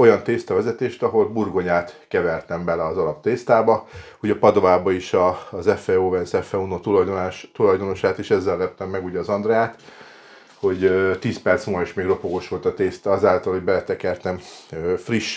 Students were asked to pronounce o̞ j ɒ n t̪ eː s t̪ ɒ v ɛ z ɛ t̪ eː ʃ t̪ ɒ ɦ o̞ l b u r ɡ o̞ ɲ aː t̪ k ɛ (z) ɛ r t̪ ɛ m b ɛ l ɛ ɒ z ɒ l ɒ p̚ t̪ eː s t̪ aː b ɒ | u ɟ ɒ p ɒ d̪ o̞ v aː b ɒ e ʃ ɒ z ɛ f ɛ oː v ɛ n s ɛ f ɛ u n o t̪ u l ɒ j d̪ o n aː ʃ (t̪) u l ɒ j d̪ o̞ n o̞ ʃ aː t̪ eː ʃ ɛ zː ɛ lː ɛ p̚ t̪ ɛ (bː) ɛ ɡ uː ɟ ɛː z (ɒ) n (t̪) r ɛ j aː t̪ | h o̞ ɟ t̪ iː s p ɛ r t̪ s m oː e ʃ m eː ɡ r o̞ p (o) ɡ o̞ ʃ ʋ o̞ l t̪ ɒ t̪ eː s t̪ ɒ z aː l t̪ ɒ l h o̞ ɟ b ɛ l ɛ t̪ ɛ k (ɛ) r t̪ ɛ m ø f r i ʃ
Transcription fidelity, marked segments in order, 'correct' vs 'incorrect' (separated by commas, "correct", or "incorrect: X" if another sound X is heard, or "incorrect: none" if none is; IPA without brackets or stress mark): incorrect: v, correct, incorrect: mː, correct, incorrect: d̪, correct, correct